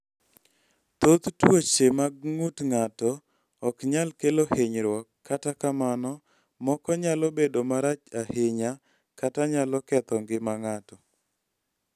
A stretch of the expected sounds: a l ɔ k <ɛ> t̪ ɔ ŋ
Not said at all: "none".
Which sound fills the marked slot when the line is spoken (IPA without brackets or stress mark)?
ɛ